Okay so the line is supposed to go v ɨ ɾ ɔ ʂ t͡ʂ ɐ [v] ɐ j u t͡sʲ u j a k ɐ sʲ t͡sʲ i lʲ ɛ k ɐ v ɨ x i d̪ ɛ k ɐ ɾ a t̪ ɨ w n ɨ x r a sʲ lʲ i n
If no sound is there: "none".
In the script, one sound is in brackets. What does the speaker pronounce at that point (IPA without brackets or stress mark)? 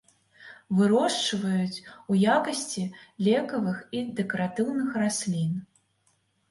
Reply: v